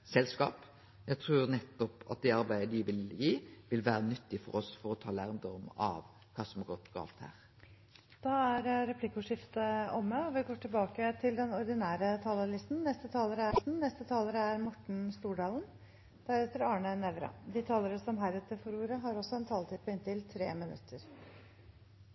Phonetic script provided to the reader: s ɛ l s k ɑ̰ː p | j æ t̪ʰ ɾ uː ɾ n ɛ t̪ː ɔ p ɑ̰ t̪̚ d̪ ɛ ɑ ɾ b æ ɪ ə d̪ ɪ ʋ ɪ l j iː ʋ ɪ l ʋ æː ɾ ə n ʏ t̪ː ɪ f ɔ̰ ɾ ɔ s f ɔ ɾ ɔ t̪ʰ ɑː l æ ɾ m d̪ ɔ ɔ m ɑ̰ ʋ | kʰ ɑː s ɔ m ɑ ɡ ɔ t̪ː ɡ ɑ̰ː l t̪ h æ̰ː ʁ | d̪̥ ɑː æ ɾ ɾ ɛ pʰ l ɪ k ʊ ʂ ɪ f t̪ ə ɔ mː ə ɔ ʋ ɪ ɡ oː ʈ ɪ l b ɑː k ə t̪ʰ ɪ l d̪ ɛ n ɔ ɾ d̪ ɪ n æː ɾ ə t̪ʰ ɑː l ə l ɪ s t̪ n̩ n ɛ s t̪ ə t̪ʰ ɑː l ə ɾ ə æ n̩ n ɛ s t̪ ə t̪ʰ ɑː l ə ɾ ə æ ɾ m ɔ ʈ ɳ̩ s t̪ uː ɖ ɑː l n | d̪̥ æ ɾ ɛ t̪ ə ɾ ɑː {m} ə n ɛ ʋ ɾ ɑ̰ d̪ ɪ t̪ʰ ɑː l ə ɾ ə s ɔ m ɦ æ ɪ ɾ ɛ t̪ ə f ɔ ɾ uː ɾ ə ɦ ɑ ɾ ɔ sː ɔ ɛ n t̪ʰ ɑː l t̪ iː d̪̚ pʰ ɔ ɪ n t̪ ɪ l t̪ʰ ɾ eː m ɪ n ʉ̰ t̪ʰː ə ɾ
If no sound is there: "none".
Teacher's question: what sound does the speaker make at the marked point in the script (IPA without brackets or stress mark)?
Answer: ɳ